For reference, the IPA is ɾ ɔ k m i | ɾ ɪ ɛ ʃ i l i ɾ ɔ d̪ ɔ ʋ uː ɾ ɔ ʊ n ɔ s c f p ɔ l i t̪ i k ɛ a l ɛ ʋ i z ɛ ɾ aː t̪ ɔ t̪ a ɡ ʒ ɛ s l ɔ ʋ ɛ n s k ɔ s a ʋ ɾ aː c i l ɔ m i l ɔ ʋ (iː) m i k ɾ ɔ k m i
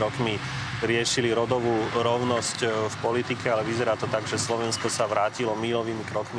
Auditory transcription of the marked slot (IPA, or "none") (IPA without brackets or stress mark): iː